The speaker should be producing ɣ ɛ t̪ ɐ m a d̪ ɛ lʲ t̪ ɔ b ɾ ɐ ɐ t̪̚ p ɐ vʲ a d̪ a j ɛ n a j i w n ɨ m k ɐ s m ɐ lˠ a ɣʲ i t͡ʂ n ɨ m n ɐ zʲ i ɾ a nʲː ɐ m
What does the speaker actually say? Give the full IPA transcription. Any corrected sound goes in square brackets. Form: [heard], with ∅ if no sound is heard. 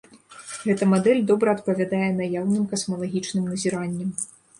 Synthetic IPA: ɣ ɛ t̪ ɐ m a d̪ ɛ lʲ [d̪] ɔ b ɾ ɐ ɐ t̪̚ p ɐ vʲ a d̪ a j ɛ n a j [a] w n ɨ m k ɐ s m ɐ lˠ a ɣʲ i t͡ʂ n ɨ m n ɐ zʲ i ɾ a nʲː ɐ m